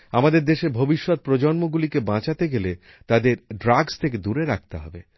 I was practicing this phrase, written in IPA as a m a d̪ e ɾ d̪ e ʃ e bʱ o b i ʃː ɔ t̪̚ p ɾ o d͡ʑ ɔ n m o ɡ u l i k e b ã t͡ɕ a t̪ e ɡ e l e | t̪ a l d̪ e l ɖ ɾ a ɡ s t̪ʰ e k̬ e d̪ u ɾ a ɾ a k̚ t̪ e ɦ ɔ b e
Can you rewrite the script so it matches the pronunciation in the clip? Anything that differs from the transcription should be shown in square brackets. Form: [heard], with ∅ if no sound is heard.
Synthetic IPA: a m a d̪ e ɾ d̪ e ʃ e bʱ o b i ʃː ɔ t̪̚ p ɾ o d͡ʑ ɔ n m o ɡ u l i k e b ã t͡ɕ a t̪ e ɡ e l e | t̪ a [∅] d̪ e [ɾ] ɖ ɾ a ɡ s t̪ʰ e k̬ e d̪ u ɾ [e] ɾ a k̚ t̪ e ɦ ɔ b e

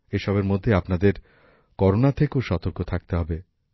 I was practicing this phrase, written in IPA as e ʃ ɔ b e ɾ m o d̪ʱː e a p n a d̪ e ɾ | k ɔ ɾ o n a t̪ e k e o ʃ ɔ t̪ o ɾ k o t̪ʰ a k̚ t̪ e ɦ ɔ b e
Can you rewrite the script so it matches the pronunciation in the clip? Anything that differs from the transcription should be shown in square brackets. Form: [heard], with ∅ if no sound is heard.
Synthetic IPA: e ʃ ɔ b e ɾ m o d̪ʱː e a p n a d̪ e ɾ | k ɔ ɾ o n a [t̪ʰ] e k e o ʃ ɔ t̪ o ɾ k o t̪ʰ a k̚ t̪ e ɦ ɔ b e

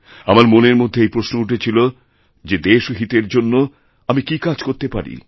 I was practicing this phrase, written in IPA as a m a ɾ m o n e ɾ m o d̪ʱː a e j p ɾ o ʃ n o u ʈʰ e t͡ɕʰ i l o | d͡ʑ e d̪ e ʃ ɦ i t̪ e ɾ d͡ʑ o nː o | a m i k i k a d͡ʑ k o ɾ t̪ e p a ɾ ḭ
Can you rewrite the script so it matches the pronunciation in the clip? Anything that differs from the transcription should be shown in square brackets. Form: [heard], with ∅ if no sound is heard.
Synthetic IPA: a m a ɾ m o n e ɾ m o d̪ʱː [e] e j p ɾ o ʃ n o u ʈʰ e t͡ɕʰ i l o | d͡ʑ e d̪ e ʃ ɦ i t̪ e ɾ d͡ʑ o nː o | a m i k i k a d͡ʑ k o ɾ t̪ e p a ɾ ḭ

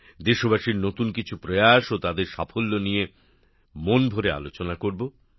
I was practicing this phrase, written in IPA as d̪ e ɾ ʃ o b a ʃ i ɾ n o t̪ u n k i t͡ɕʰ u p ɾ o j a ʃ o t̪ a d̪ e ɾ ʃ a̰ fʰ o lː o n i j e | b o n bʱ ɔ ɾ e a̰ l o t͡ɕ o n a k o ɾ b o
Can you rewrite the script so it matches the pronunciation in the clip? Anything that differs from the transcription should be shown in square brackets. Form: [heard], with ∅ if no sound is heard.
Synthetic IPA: d̪ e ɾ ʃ o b a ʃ i ɾ n o t̪ u n k i t͡ɕʰ u p ɾ o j a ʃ o t̪ a d̪ e ɾ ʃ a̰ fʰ o lː o n i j e | [m] o n bʱ [o] ɾ e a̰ l o t͡ɕ o n a k o ɾ b o

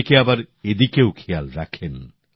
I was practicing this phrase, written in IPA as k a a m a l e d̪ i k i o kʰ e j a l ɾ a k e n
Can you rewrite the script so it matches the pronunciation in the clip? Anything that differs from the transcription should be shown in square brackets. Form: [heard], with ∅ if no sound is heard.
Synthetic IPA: k [e] a [b] a [ɾ] e d̪ i k [e] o kʰ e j a l ɾ a [kʰ] e n

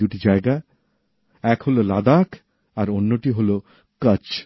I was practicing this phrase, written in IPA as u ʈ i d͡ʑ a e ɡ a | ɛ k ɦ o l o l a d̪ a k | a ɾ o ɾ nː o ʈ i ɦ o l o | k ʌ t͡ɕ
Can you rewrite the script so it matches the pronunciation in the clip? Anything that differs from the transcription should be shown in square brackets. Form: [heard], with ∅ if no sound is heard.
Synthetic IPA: u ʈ i d͡ʑ a e ɡ a | ɛ k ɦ o l o l a d̪ a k | a ɾ o [∅] nː o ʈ i ɦ o l o | k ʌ t͡ɕ

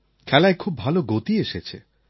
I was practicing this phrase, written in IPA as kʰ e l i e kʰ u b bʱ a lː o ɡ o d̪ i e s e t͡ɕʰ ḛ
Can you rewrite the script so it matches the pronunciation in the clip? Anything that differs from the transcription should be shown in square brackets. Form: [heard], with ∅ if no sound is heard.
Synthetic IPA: kʰ [ɛ] l [a] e kʰ u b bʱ a [l] o ɡ o [t̪] i e [ʃ] e t͡ɕʰ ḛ

